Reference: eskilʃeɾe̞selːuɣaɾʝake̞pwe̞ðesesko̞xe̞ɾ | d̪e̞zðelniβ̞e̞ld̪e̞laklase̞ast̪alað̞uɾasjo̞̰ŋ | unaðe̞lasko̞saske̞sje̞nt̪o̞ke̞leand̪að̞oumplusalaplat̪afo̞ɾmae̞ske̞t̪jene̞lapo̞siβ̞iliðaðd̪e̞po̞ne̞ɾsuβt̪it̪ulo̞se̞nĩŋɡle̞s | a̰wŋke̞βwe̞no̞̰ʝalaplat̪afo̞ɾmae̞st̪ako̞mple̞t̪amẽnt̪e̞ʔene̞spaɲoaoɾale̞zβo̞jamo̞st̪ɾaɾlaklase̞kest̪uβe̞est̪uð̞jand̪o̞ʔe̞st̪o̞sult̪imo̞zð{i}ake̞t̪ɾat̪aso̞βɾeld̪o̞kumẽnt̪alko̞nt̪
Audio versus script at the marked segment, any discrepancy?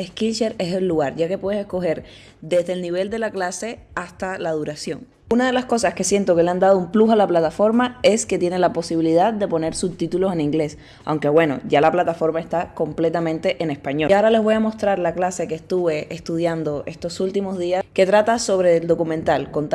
no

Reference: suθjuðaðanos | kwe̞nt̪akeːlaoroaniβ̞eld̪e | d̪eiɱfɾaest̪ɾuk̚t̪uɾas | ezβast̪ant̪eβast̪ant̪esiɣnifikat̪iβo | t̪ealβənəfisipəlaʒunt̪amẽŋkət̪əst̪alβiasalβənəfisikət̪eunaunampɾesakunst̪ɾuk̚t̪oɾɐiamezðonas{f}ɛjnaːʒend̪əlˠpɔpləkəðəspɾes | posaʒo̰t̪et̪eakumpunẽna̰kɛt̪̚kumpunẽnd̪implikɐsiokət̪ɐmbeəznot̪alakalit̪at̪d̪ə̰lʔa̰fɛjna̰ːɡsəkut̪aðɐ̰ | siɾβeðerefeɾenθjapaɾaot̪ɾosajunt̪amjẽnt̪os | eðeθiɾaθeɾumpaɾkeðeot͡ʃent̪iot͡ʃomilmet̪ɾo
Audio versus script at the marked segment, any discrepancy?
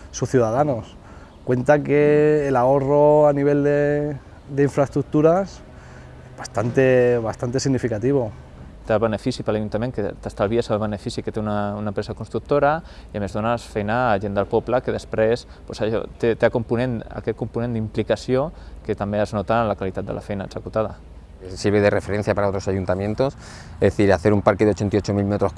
no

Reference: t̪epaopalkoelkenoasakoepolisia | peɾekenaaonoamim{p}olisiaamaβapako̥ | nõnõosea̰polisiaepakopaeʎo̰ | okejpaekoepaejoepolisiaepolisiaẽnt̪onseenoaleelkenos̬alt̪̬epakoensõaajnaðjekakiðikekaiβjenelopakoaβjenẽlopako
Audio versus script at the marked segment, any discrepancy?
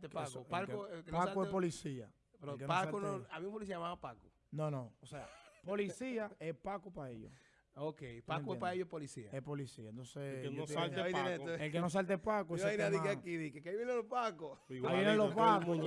no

